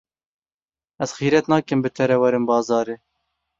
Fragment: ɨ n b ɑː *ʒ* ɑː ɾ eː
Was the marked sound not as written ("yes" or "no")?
yes